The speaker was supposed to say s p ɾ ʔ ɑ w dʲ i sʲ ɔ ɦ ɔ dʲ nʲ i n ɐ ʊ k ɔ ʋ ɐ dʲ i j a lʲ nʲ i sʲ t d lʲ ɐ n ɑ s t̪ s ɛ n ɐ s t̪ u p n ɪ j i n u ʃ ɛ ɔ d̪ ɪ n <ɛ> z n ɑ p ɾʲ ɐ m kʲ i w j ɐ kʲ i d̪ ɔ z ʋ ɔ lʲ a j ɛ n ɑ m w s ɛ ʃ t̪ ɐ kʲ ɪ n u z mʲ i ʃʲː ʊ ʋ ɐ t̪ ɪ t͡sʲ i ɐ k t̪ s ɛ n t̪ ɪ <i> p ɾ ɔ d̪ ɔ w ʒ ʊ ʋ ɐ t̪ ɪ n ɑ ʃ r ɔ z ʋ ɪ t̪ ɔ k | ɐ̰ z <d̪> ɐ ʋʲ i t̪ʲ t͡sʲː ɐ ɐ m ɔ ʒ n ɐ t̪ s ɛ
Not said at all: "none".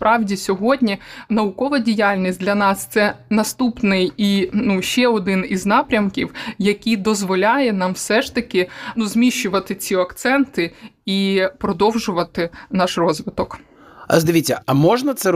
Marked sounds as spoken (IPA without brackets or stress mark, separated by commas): i, i, d̪